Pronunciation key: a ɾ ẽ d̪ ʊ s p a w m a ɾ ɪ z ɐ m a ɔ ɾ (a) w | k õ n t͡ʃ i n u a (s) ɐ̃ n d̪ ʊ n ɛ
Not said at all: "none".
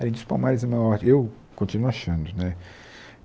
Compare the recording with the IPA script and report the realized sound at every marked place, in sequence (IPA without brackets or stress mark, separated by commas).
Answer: e, ʃ